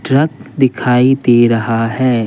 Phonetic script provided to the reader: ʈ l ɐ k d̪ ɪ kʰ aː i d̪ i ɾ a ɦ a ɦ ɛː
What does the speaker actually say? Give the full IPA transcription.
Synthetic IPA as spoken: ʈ ɾ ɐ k d̪ ɪ kʰ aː i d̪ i ɾ ɐ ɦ a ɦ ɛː

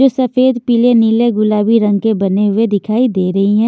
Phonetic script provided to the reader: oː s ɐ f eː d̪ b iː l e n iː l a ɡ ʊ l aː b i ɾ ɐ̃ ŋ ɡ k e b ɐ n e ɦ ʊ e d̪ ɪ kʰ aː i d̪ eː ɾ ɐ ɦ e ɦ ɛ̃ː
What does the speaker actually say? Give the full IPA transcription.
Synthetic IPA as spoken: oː s ɐ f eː d̪ p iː l e n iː l e ɡ ʊ l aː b i ɾ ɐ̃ ŋ ɡ k e b ɐ n e ɦ ʊ e d̪ ɪ kʰ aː i d̪ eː ɾ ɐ ɦ i ɦ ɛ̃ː

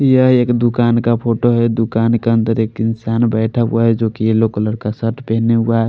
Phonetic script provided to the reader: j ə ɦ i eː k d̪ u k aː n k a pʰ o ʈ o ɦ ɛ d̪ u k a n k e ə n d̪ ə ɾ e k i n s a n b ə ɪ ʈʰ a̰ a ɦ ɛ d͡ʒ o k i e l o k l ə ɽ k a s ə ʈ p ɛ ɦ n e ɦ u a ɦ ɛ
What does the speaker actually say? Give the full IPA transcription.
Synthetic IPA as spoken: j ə ɦ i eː k d̪ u k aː n k a pʰ o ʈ o ɦ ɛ d̪ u k a n k e ə n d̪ ə ɾ e k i n s a n b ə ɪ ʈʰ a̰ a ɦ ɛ d͡ʒ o k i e l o k l ə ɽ k a s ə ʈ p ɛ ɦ n e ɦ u a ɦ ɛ

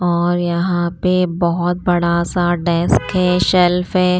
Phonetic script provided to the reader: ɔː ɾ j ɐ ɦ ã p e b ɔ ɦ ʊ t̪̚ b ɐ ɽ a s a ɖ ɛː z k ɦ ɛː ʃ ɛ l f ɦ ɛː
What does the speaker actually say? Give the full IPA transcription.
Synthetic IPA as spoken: ɔː ɾ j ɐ ɦ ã p e b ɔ ɦ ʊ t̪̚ b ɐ ɽ a s a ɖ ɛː s k ɦ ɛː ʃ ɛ l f ɦ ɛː

